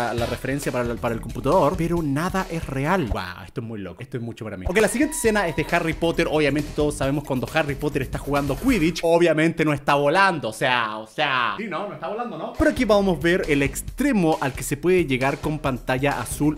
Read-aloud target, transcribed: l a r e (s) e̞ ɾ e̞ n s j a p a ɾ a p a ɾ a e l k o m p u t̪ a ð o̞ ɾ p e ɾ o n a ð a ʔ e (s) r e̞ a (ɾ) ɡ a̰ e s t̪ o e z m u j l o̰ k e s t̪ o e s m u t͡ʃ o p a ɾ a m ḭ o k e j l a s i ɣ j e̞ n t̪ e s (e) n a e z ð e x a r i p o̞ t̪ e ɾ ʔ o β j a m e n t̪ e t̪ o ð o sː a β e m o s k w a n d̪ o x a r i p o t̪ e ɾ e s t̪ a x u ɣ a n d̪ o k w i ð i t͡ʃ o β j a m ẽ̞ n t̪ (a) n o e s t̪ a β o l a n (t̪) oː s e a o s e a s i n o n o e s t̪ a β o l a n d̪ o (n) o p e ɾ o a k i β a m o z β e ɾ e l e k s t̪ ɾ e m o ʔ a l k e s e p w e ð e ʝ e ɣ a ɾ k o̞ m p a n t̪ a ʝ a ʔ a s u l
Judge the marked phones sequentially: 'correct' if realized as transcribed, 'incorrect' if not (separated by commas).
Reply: incorrect, correct, incorrect, correct, incorrect, incorrect, correct